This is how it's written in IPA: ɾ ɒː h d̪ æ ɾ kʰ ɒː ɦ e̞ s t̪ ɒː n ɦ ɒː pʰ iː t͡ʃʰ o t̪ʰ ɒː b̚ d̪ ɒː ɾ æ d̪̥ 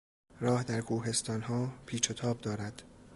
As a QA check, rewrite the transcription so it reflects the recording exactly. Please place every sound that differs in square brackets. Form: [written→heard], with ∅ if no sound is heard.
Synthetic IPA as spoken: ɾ ɒː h d̪ æ ɾ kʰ [ɒː→uː] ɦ e̞ s t̪ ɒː n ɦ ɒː pʰ iː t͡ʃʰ o t̪ʰ ɒː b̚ d̪ ɒː ɾ æ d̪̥